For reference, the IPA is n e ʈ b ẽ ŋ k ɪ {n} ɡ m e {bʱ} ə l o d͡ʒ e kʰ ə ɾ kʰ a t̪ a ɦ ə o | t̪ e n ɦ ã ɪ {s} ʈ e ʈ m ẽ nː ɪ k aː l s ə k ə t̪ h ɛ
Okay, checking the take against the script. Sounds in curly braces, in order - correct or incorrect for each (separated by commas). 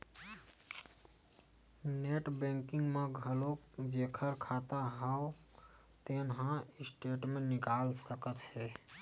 incorrect, incorrect, correct